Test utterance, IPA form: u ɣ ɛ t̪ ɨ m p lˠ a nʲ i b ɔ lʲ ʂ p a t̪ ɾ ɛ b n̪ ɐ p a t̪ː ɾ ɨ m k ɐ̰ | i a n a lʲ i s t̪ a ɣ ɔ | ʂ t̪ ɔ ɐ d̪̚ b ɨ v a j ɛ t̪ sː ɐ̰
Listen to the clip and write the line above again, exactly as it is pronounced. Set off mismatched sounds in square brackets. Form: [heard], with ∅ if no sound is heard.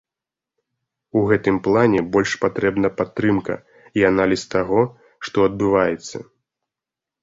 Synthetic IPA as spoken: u ɣ ɛ t̪ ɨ m p lˠ a nʲ [ɛ] b ɔ lʲ ʂ p a t̪ ɾ ɛ b n̪ ɐ p a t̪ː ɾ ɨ m k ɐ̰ | i a n a lʲ i s t̪ a ɣ ɔ | ʂ t̪ ɔ ɐ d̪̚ b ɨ v a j ɛ t̪ sː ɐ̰